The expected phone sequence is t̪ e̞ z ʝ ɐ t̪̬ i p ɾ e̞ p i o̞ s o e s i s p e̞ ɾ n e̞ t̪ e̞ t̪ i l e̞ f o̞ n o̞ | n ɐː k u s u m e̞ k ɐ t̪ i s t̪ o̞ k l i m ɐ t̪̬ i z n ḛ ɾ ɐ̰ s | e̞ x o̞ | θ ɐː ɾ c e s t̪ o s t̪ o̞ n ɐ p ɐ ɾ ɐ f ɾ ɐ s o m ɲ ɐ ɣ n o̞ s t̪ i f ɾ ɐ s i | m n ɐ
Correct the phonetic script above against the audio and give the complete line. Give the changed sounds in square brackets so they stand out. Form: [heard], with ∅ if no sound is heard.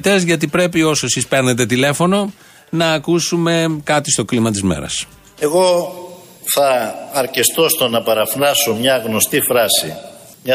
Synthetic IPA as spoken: t̪ e̞ z ʝ ɐ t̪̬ i p ɾ e̞ p i o̞ s o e s i s p e̞ ɾ n e̞ t̪ e̞ t̪ i l e̞ f o̞ n o̞ | n ɐː k u s u m e̞ k ɐ t̪ i s t̪ o̞ k l i m ɐ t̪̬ i z [m] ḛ ɾ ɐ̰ s | e̞ [ɣ] o̞ | θ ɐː ɾ c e s t̪ o s t̪ o̞ n ɐ p ɐ ɾ ɐ f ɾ ɐ s o m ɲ ɐ ɣ n o̞ s t̪ i f ɾ ɐ s i | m [ɲ] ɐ